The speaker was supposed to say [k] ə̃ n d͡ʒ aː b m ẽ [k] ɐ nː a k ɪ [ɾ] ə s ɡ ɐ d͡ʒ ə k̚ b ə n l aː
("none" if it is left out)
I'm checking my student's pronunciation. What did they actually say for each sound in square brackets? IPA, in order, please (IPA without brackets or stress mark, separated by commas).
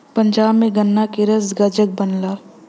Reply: p, ɡ, ɾ